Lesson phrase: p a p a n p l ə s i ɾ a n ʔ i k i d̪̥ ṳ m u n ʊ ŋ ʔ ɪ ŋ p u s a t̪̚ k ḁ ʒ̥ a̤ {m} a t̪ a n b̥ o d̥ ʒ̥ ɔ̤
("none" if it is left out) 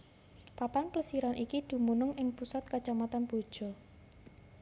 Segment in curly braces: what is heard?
m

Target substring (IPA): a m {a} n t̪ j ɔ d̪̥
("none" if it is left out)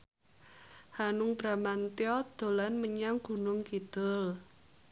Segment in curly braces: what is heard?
a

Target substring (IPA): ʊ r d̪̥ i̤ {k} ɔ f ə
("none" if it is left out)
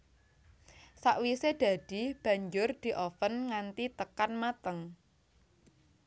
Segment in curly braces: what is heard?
ʔ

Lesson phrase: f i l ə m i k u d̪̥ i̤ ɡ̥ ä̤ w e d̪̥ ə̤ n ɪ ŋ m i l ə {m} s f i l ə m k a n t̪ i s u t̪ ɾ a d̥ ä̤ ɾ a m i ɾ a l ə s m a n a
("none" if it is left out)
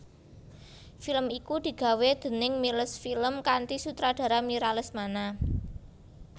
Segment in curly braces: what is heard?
none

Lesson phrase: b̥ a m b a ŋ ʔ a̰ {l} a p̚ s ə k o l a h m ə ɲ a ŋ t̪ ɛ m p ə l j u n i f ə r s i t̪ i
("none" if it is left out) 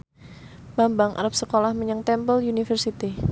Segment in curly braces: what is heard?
ɾ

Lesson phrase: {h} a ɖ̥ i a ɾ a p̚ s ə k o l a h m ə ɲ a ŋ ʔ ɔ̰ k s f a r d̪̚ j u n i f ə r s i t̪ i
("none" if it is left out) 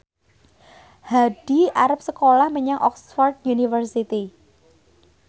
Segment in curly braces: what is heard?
h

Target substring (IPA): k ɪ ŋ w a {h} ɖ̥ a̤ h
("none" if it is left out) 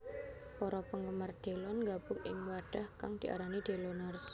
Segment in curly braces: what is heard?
none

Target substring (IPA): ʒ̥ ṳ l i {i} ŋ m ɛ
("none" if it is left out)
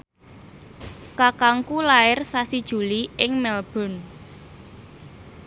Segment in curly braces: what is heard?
ɪ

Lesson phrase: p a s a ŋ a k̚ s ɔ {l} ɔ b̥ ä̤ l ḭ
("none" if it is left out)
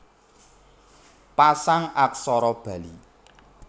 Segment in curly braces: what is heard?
ɾ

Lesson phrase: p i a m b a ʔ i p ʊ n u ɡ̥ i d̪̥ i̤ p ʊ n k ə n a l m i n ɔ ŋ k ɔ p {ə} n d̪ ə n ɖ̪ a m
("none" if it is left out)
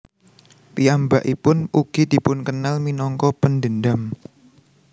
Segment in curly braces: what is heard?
ə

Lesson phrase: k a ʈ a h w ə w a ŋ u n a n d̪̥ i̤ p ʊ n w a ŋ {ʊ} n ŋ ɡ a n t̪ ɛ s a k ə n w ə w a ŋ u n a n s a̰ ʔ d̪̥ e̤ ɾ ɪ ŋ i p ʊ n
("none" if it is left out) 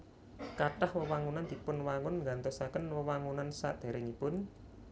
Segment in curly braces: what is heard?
ʊ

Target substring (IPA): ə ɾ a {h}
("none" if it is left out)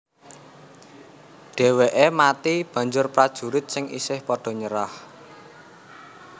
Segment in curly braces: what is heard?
h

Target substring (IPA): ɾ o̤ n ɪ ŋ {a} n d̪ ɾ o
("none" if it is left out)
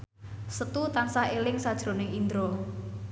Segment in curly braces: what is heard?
i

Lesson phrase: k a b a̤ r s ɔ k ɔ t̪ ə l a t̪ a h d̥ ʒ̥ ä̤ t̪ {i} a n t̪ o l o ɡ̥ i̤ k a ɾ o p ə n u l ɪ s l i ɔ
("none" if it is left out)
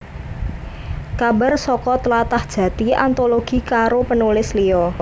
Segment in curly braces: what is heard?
i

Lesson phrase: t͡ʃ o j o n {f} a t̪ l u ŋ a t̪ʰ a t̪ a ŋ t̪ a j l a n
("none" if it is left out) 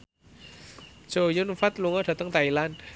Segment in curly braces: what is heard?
f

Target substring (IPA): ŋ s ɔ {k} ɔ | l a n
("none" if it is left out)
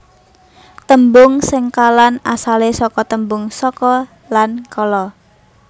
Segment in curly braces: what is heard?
k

